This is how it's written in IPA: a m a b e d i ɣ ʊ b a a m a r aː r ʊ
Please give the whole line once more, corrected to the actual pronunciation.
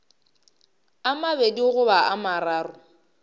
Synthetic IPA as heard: a m a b e d i ɣ ʊ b a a m a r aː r ʊ